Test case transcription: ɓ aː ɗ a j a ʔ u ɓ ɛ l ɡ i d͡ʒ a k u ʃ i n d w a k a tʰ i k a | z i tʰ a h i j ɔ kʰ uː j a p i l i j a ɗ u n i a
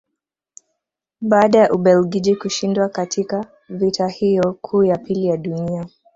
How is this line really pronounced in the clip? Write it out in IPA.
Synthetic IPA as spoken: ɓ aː ɗ a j a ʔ u ɓ ɛ l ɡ i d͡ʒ i k u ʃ i n d w a k a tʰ i k a | v i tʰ a h i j ɔ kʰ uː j a p i l i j a ɗ u n i a